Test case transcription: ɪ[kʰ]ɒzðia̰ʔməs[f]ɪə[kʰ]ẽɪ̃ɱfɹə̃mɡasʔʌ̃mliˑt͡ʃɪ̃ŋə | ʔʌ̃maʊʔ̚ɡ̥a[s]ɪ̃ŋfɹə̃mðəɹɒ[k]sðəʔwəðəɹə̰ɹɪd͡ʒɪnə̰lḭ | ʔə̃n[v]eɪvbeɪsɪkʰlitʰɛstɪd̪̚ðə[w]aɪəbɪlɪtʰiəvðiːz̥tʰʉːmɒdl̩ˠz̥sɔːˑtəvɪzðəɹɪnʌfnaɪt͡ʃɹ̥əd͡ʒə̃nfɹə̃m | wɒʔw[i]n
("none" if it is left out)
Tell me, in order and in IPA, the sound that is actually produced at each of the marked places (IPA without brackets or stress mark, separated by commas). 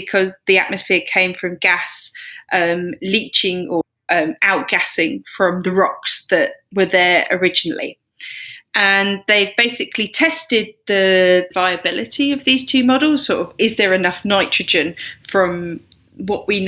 kʰ, f, kʰ, s, k, ð, v, i